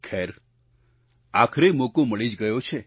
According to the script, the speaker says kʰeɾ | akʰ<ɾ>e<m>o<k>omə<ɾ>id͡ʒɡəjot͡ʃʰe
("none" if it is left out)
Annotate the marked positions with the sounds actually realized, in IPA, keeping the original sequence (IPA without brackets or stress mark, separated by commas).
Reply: ɾ, m, k, ɭ